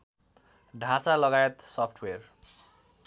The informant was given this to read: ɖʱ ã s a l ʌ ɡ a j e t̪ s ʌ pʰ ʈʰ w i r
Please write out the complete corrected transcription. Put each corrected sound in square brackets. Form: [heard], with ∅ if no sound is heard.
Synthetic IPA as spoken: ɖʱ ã [t͡s] a l ʌ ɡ a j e t̪ s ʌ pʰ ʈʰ w [e] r